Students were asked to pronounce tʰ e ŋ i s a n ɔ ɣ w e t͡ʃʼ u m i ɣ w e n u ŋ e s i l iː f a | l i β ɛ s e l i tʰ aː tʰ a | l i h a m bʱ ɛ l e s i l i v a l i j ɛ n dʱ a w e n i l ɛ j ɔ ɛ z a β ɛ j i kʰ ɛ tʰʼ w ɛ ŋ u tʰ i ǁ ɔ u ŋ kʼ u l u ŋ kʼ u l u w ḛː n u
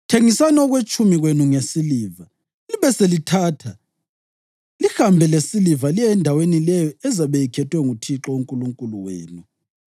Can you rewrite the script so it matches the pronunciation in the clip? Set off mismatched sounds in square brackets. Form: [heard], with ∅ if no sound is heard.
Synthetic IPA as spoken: tʰ e ŋ i s a n ɔ ɣ w e t͡ʃʼ u m i ɣ w e n u ŋ e s i l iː [v] a | l i β ɛ s e l i tʰ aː tʰ a | l i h a m bʱ ɛ l e s i l i v a l i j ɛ n dʱ a w e n i l ɛ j ɔ ɛ z a β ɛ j i kʰ ɛ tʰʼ w ɛ ŋ u tʰ i ǁ ɔ u ŋ kʼ u l u ŋ kʼ u l u w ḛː n u

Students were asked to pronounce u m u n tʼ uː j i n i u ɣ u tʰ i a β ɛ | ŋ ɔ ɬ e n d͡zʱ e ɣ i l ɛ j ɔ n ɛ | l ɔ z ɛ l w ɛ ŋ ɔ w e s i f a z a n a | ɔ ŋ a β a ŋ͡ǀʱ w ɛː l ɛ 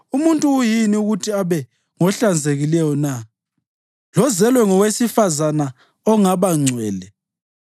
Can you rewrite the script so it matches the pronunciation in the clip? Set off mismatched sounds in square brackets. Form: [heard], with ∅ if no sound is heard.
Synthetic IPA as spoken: u m u n tʼ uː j i n i u ɣ u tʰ i a β ɛ | ŋ ɔ ɬ [a] n d͡zʱ e ɣ i l ɛ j ɔ n [a] | l ɔ z ɛ l w ɛ ŋ ɔ w e s i f a z a n a | ɔ ŋ a β a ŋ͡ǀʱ w ɛː l ɛ

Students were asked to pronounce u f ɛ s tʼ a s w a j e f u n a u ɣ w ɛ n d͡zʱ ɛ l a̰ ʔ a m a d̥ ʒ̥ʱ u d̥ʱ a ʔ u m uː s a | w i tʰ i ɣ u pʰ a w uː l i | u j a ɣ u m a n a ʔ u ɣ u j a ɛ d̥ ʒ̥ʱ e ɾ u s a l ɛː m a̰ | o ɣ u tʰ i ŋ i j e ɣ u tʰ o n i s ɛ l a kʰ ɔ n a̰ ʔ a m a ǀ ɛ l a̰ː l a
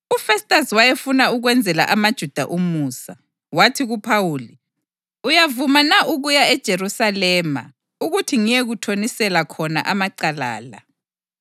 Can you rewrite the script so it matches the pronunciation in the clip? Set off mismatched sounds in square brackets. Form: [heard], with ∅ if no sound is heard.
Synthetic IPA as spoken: u f ɛ s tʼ a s w a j e f u n a u ɣ w ɛ n d͡zʱ ɛ l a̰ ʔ a m a d̥ ʒ̥ʱ u d̥ʱ a ʔ u m uː s a | w [a] tʰ i ɣ u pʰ a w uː l i | u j a [v] u m a n a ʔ u ɣ u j a ɛ d̥ ʒ̥ʱ e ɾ u s a l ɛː m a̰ | [u] ɣ u tʰ i ŋ i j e ɣ u tʰ o n i s ɛ l a kʰ ɔ n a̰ ʔ a m a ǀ [a] l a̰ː l a

